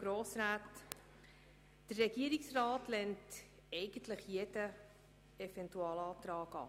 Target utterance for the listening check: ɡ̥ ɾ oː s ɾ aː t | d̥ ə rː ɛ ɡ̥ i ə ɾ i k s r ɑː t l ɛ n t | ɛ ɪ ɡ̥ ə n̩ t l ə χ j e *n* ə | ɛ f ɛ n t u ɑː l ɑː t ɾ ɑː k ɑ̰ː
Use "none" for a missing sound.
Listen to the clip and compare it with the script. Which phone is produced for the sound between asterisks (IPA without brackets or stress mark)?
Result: d